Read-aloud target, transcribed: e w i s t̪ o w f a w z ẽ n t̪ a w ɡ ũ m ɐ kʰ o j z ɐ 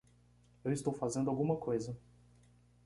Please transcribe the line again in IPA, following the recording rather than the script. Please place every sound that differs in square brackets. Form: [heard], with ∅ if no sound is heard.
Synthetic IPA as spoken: e w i s t̪ o w f a [∅] z ẽ n [d̪] a w ɡ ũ m ɐ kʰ o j z ɐ